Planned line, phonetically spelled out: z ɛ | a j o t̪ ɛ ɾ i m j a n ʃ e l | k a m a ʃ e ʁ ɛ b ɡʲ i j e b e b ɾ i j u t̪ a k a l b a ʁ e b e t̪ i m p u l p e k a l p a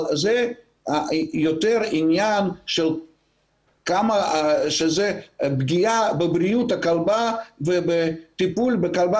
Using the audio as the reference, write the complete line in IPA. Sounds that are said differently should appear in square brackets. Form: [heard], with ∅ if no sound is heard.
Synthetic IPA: z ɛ | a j o t̪ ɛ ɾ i [n] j a n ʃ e l | k a m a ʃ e [z] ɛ b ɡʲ i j [a] b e b ɾ i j u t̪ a k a l b a [v] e b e t̪ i [∅] p u l [b] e k a l [b] a